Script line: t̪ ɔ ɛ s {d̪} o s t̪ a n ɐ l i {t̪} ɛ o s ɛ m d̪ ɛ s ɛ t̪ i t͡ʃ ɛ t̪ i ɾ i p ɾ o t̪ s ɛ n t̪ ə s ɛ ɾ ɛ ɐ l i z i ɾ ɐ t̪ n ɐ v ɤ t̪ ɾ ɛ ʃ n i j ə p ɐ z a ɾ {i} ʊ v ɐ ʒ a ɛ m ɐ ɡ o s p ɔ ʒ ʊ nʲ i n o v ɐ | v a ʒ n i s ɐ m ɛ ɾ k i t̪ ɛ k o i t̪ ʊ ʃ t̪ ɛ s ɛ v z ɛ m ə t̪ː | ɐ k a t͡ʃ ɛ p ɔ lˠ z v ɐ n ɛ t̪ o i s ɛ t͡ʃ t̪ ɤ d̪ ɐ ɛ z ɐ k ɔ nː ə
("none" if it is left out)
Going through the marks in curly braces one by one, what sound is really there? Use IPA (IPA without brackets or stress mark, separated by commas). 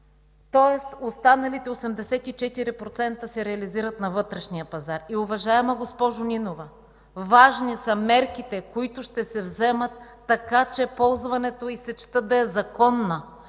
t̪, t̪, i